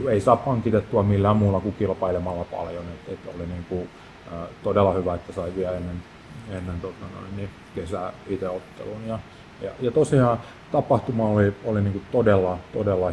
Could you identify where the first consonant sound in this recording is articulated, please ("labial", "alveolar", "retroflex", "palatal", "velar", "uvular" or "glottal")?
alveolar